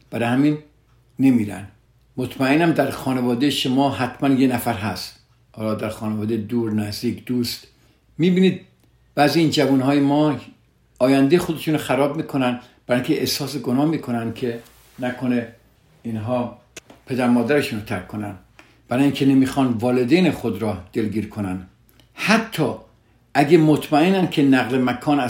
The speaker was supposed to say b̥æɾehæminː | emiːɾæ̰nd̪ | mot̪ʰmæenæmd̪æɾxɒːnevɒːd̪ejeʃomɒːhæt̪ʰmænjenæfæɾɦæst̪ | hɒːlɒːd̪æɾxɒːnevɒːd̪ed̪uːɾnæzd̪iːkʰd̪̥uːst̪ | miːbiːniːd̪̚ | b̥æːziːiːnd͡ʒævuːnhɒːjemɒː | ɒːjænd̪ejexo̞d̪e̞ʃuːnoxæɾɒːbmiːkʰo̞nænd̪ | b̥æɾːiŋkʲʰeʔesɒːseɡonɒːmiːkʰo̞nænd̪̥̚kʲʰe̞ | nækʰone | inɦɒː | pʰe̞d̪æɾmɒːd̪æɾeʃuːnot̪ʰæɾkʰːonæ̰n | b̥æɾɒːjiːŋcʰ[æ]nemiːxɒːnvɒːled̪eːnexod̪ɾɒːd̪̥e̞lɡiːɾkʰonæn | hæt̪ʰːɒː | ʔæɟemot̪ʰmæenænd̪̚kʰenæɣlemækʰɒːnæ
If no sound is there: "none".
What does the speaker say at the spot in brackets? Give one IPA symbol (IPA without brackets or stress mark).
e